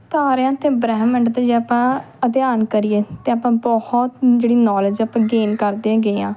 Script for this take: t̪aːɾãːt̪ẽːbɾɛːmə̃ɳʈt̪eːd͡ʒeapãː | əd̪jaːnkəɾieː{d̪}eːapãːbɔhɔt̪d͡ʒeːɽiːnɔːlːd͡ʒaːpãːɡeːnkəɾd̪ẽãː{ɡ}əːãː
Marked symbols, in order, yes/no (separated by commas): no, yes